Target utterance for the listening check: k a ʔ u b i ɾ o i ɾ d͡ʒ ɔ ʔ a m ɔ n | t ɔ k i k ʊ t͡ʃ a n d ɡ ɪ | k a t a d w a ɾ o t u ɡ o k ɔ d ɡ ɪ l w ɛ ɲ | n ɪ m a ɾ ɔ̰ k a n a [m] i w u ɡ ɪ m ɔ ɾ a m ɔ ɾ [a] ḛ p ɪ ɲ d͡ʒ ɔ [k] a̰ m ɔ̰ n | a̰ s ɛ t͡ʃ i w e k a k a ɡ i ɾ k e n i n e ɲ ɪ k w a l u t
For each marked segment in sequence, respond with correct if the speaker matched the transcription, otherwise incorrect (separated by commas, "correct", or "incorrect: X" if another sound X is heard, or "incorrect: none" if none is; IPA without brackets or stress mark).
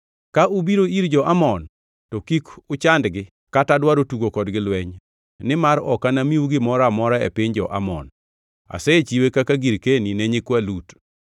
correct, correct, incorrect: ʔ